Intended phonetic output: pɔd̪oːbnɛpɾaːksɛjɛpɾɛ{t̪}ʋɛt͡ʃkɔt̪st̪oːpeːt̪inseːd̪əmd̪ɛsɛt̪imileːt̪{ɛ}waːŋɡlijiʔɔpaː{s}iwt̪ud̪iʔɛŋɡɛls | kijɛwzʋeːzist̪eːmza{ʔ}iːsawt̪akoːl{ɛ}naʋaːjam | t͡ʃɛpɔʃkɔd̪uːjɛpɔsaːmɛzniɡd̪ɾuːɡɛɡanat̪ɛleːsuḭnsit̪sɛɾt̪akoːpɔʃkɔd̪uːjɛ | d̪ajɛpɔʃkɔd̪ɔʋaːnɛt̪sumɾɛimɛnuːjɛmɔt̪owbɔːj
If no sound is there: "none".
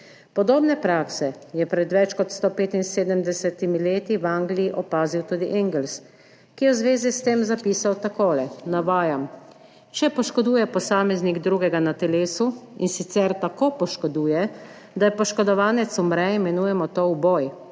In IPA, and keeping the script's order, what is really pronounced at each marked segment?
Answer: d̪, i, z, p, ɛ

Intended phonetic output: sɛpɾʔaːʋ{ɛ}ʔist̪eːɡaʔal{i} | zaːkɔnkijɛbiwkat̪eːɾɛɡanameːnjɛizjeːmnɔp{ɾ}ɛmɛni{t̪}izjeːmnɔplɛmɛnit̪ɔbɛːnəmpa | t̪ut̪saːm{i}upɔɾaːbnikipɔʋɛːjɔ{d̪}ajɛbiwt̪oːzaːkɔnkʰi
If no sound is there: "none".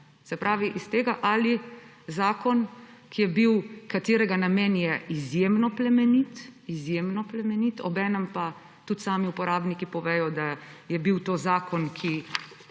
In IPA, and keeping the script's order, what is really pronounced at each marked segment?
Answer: i, i, l, t̪, i, d̪

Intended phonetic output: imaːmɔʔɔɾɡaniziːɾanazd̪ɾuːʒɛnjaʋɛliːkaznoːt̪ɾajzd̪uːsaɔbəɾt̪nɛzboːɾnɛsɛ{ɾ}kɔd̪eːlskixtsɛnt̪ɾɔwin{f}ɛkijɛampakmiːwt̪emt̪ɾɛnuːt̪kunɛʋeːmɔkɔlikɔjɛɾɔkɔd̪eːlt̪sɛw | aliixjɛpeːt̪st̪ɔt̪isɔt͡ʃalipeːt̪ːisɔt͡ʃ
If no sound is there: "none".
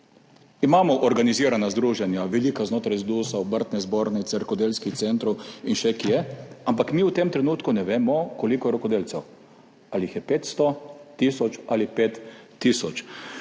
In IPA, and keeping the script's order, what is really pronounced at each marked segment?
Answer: ɾ, ʃ

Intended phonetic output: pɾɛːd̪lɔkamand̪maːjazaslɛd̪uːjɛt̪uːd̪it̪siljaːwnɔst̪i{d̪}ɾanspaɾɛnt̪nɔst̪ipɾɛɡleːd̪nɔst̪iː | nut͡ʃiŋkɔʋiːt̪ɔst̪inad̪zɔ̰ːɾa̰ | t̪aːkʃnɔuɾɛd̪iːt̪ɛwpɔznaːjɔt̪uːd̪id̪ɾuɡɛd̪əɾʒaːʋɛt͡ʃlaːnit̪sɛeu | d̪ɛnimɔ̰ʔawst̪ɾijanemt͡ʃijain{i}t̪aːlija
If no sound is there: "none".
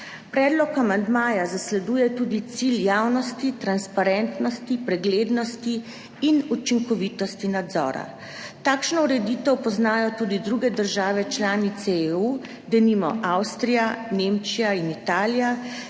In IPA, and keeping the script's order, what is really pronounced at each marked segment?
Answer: t̪, i

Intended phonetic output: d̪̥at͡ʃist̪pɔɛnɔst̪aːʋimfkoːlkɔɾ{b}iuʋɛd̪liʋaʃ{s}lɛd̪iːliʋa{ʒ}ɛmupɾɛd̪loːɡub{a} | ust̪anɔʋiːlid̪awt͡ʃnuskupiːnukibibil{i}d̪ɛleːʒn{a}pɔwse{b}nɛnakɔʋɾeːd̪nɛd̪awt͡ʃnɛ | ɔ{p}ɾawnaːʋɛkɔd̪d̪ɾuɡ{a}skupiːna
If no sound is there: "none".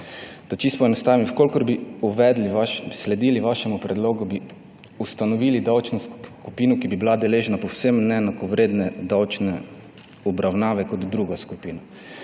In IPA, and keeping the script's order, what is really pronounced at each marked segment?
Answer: b, s, ʃ, i, a, a, m, b, a

